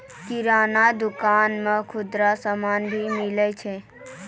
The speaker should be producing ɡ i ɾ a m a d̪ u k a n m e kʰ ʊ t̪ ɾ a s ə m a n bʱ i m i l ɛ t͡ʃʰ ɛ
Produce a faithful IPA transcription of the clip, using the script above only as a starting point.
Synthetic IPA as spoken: k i ɾ a n a d̪ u k a n m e kʰ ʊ d̪ ɾ a s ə m a n bʱ i m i l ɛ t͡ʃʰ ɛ